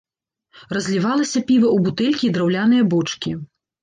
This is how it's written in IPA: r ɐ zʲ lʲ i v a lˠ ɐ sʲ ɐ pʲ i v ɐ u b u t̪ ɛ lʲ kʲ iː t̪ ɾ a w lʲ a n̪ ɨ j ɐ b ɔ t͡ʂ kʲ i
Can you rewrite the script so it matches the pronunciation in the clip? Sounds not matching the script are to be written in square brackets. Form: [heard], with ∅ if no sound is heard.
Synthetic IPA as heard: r ɐ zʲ lʲ i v a lˠ ɐ sʲ ɐ pʲ i v ɐ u b u t̪ ɛ lʲ kʲ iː [d̪] ɾ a w lʲ a n̪ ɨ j ɐ b ɔ t͡ʂ kʲ i

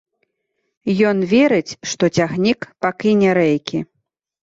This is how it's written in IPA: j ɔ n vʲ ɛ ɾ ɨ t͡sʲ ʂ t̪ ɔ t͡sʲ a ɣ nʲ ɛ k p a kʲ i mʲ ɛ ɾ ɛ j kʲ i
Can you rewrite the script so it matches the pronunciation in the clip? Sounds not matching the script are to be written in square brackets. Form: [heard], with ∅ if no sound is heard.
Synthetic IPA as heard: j ɔ n vʲ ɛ ɾ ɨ t͡sʲ ʂ t̪ ɔ t͡sʲ a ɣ nʲ [i] k p a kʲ i [nʲ] ɛ ɾ ɛ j kʲ i

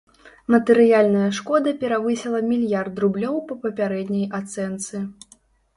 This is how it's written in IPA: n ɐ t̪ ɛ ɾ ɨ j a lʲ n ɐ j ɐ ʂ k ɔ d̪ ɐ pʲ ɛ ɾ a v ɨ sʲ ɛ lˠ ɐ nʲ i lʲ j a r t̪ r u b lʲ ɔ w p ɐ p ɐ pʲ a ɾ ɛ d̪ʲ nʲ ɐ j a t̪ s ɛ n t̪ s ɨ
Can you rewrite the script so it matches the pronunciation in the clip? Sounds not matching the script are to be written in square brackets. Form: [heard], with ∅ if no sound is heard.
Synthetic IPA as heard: [m] ɐ t̪ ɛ ɾ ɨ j a lʲ n ɐ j ɐ ʂ k ɔ d̪ ɐ pʲ ɛ ɾ a v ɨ sʲ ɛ lˠ ɐ [mʲ] i lʲ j a r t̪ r u b lʲ ɔ w p ɐ p ɐ pʲ a ɾ ɛ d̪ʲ nʲ ɐ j a t̪ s ɛ n t̪ s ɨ

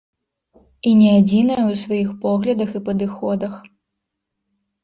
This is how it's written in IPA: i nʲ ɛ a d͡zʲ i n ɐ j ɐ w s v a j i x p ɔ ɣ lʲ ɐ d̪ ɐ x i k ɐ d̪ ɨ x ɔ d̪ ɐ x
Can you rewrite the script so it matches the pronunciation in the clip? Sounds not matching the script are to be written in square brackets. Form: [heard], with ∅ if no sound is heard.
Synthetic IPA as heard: i nʲ ɛ a d͡zʲ i n ɐ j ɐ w s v a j i x p ɔ ɣ lʲ ɐ d̪ ɐ x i [p] ɐ d̪ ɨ x ɔ d̪ ɐ x

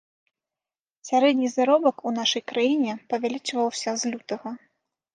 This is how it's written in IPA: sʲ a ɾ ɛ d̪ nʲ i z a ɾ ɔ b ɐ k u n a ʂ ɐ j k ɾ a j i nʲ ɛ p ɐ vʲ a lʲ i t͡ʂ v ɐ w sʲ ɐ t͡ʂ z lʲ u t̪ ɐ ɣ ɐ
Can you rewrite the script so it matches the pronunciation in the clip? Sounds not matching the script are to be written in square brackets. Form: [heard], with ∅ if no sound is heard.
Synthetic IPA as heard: sʲ a ɾ ɛ d̪ nʲ i z a ɾ ɔ b ɐ k u n a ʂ ɐ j k ɾ a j i nʲ ɛ p ɐ vʲ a lʲ i t͡ʂ v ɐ w sʲ ɐ [∅] z lʲ u t̪ ɐ ɣ ɐ

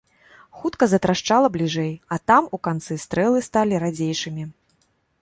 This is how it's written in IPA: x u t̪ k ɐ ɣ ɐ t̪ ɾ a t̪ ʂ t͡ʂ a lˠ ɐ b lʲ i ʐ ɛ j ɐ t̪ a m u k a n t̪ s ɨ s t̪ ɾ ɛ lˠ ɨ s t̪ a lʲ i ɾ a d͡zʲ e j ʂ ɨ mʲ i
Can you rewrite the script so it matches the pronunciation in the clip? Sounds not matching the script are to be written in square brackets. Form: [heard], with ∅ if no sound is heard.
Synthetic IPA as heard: x u t̪ k ɐ [z] ɐ t̪ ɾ a [∅] ʂ t͡ʂ a lˠ ɐ b lʲ i ʐ ɛ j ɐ t̪ a m u k a n t̪ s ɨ s t̪ ɾ ɛ lˠ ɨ s t̪ a lʲ i ɾ a d͡zʲ e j ʂ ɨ mʲ i

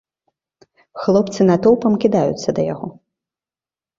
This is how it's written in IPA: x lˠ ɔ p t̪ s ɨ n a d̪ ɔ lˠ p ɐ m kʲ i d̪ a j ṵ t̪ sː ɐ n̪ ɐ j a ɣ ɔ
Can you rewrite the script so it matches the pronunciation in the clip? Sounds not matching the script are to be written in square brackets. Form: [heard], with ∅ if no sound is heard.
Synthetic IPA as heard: x lˠ ɔ p t̪ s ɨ n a [t̪] ɔ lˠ p ɐ m kʲ i d̪ a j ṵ t̪ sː ɐ [d̪] ɐ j a ɣ ɔ

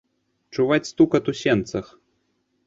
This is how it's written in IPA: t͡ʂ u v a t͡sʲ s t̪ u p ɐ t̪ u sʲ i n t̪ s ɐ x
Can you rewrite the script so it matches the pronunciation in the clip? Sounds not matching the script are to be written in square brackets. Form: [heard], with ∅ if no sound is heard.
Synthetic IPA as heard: t͡ʂ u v a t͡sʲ s t̪ u [k] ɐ t̪ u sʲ [ɛ] n t̪ s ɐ x

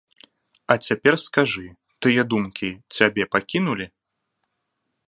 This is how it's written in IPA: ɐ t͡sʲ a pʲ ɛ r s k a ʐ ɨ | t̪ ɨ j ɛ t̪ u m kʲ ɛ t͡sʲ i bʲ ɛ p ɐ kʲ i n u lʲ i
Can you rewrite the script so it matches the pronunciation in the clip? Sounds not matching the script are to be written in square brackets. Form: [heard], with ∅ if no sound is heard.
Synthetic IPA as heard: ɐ t͡sʲ a pʲ ɛ r s k a ʐ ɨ | t̪ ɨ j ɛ [d̪] u m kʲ [i] t͡sʲ [a] bʲ ɛ p [a] kʲ i n u lʲ i

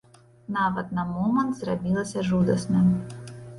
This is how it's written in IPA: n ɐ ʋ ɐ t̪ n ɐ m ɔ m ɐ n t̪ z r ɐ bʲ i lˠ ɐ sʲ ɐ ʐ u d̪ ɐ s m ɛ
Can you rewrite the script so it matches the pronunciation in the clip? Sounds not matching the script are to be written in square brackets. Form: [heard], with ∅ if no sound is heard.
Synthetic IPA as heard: n [ɑ] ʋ ɐ t̪ n ɐ m ɔ m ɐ n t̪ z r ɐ bʲ i lˠ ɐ sʲ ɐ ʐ u d̪ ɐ s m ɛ

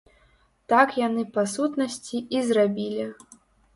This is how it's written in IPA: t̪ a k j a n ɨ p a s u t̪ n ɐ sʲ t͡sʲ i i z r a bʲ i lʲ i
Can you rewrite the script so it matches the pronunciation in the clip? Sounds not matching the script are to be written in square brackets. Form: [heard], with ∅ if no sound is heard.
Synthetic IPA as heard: t̪ a k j a n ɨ p a s u t̪ n ɐ sʲ t͡sʲ i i z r a bʲ i lʲ i

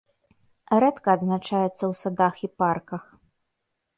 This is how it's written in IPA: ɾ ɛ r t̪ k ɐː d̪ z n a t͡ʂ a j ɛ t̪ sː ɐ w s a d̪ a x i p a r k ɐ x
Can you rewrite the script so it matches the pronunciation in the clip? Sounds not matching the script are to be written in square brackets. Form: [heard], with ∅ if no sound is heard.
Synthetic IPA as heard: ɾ ɛ [∅] t̪ k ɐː d̪ z n a t͡ʂ a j ɛ t̪ sː ɐ w s a d̪ a x i p a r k ɐ x

